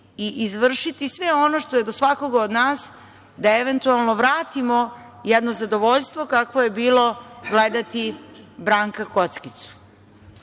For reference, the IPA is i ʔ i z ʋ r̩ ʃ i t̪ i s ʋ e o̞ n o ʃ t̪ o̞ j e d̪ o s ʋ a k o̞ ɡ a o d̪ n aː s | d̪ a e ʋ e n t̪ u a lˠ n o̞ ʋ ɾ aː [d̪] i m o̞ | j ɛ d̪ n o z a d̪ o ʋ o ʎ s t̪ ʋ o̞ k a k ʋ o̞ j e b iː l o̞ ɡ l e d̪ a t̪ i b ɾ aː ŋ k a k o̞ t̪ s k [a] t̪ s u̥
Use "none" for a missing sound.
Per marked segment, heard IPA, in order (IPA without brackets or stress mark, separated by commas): t̪, i